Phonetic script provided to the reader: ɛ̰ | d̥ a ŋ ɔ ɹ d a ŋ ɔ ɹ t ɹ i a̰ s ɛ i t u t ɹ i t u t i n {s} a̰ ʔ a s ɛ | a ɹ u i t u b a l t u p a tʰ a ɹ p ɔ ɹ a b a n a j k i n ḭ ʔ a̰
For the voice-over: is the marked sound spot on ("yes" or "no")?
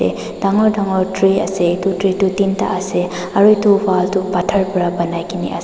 no